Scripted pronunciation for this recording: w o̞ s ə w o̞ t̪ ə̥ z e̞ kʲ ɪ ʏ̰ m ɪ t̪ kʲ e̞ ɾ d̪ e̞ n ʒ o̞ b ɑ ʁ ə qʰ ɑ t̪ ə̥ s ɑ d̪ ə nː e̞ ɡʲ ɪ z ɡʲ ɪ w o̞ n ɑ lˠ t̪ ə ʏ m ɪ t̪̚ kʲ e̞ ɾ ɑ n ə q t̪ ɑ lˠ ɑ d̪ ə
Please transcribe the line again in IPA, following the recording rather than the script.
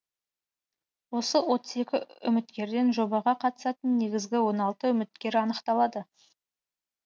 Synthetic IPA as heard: w o̞ s ə w o̞ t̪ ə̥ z e̞ kʲ ɪ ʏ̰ m ɪ t̪ kʲ e̞ ɾ d̪ e̞ n ʒ o̞ b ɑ ʁ ɑ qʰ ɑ t̪ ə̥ s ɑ t̪ ə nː e̞ ɡʲ ɪ z ɡʲ ɪ w o̞ n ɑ lˠ t̪ ə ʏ m ɪ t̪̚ kʲ e̞ ɾ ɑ n ə q t̪ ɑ lˠ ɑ d̪ ə